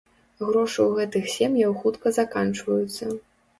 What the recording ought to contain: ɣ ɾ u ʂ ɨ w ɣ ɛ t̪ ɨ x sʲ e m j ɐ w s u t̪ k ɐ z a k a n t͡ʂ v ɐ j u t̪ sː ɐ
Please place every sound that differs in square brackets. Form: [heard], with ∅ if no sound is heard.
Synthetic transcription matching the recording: ɣ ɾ [ɔ] ʂ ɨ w ɣ ɛ t̪ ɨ x sʲ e m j ɐ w [x] u t̪ k ɐ z a k a n t͡ʂ v ɐ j u t̪ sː ɐ